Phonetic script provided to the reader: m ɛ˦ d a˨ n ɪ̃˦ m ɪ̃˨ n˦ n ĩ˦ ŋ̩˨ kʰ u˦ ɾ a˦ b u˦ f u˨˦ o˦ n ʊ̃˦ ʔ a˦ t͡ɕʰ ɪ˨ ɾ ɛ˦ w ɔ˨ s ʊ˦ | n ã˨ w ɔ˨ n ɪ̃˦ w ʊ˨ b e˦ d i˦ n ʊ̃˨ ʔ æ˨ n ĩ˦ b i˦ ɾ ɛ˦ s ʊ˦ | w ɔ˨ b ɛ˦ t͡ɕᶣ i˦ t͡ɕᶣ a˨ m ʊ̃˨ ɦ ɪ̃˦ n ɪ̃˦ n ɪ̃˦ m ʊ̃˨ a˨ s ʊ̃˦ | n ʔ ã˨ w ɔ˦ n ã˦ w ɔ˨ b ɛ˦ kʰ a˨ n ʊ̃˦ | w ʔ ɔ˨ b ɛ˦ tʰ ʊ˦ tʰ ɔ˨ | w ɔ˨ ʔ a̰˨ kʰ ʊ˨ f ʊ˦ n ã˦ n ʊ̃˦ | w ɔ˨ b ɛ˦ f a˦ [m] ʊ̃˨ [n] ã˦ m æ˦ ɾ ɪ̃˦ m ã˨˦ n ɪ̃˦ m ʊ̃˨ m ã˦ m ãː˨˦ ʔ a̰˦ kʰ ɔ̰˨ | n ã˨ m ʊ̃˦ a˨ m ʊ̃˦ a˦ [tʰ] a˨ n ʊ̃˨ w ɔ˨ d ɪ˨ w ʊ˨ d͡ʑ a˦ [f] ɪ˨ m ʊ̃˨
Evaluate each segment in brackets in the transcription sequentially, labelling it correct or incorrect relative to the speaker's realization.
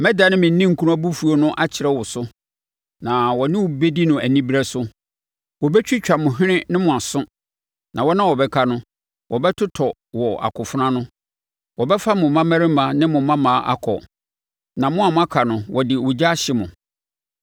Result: correct, incorrect: m, incorrect: kʰ, incorrect: ɕ

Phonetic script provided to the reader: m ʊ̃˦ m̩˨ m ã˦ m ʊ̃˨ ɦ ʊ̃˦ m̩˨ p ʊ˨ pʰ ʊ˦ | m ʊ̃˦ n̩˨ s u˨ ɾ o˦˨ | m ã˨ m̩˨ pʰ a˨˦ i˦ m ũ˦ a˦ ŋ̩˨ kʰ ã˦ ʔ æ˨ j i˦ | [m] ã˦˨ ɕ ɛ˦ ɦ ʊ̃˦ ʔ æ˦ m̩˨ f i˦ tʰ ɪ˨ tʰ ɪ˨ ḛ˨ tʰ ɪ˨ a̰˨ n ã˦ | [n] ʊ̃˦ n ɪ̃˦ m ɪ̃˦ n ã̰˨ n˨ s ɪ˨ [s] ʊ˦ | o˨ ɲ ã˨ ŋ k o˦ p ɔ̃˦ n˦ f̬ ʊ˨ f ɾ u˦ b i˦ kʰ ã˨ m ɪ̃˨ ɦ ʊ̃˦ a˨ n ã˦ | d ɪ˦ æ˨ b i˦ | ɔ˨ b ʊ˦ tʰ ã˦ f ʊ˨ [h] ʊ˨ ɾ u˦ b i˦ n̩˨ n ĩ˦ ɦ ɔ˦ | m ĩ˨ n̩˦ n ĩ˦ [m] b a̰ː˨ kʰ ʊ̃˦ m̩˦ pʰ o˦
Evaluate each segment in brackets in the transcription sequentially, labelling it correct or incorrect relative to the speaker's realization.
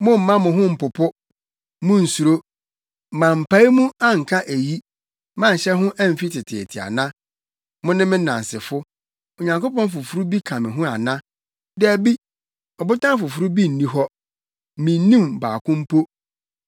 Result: correct, incorrect: m, incorrect: f, incorrect: f, correct

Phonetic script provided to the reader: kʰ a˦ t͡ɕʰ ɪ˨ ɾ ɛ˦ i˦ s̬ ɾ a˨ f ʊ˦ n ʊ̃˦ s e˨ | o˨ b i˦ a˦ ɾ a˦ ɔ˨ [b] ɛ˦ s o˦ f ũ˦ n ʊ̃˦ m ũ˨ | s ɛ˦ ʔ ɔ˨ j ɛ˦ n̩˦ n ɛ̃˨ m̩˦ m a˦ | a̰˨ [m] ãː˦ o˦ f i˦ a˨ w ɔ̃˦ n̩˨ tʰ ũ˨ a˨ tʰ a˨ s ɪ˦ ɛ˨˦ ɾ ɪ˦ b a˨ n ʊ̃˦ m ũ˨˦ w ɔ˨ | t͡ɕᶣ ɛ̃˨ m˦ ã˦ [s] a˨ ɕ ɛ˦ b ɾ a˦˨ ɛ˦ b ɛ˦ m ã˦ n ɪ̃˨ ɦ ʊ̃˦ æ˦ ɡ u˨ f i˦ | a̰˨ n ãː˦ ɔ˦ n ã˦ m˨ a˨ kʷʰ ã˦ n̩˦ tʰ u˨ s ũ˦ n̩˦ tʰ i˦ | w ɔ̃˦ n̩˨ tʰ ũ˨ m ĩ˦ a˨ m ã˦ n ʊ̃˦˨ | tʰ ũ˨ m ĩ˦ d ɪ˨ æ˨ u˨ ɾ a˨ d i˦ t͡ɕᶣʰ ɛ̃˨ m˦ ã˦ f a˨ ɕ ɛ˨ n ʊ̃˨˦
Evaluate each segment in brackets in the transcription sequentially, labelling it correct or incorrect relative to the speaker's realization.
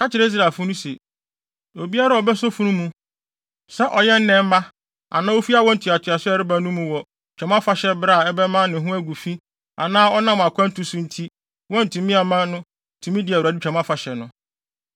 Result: correct, incorrect: n, incorrect: f

